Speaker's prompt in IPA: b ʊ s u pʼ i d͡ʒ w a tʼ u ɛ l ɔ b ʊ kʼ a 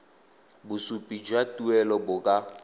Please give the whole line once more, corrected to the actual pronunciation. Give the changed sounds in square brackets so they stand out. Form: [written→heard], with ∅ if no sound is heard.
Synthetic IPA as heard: b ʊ s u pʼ i d͡ʒ w a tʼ u ɛ l ɔ b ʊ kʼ a